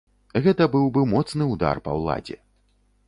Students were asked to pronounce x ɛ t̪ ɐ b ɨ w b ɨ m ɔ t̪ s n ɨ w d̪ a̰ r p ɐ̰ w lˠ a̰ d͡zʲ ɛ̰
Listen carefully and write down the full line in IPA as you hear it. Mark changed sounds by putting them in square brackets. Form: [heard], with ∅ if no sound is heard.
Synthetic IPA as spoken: [ɣ] ɛ t̪ ɐ b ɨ w b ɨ m ɔ t̪ s n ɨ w d̪ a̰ r p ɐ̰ w lˠ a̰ d͡zʲ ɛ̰